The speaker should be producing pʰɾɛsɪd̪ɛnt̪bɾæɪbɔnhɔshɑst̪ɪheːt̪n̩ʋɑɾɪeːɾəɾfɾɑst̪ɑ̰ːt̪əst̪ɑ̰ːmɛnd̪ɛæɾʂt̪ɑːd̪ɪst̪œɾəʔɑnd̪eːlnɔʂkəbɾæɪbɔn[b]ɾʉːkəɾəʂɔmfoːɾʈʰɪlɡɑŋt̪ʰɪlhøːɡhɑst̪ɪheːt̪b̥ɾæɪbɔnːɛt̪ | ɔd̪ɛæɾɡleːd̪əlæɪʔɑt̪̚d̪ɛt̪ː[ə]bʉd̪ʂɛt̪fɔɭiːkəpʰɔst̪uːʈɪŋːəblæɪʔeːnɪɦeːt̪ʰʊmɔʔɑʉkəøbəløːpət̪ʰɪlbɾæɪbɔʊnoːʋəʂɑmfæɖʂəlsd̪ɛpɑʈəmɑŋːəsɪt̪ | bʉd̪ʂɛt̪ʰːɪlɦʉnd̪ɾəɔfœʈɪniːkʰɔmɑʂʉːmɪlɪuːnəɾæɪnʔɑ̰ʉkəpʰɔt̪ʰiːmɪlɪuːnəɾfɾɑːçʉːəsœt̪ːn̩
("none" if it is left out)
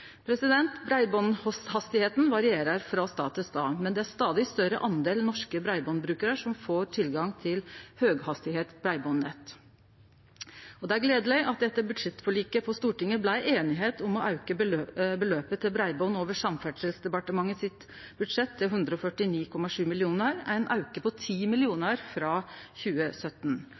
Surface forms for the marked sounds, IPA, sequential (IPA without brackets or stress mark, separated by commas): b, ə